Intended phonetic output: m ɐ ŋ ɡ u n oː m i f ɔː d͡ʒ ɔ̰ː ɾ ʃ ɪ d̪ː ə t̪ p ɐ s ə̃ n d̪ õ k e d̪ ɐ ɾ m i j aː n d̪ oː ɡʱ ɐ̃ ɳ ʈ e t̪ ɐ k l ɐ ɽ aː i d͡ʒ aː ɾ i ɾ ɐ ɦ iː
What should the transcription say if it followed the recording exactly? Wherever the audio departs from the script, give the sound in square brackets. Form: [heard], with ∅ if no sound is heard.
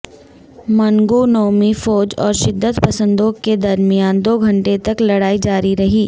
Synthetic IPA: m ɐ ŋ ɡ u n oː m i f ɔː d͡ʒ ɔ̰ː ɾ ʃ ɪ d̪ː ə t̪ p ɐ s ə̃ n d̪ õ k e d̪ ɐ ɾ m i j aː n d̪ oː ɡʱ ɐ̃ ɳ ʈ e t̪ ɐ k l ɐ ɽ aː i d͡ʒ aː ɾ i ɾ ɐ ɦ iː

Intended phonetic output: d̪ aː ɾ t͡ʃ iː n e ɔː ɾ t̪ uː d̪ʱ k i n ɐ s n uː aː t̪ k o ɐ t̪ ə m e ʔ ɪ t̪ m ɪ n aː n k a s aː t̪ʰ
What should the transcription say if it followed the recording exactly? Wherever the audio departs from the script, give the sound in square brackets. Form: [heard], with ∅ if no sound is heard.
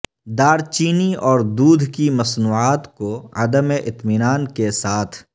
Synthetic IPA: d̪ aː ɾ t͡ʃ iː n [i] ɔː ɾ [d̪] uː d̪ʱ k i [m] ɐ s n uː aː t̪ k o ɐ [d̪] ə m e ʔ ɪ t̪ m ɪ n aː n k [e] s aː t̪ʰ

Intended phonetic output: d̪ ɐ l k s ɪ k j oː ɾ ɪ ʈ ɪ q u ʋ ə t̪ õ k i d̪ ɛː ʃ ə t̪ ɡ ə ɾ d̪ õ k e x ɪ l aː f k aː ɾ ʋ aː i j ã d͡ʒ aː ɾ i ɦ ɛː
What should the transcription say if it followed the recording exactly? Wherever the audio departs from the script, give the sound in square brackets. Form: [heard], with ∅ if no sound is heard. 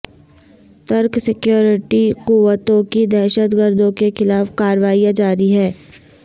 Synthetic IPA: [t̪] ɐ [ɾ] k s ɪ k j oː ɾ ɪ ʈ [i] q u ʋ ə t̪ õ k i d̪ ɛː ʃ ə t̪ ɡ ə ɾ d̪ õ k e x ɪ l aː f k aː ɾ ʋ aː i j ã d͡ʒ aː ɾ i ɦ ɛː

